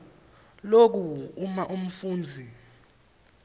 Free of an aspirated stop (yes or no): yes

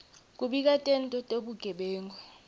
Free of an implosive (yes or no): no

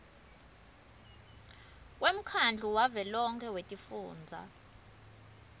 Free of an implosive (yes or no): yes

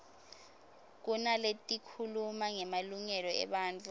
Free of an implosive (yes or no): no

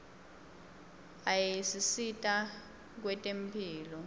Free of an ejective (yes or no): no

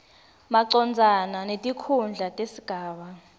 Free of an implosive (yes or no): no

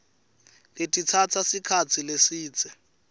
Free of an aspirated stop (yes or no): no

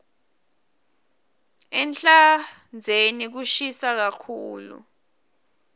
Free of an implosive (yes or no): yes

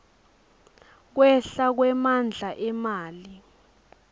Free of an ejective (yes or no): yes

